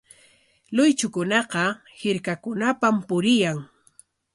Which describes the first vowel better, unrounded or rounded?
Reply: rounded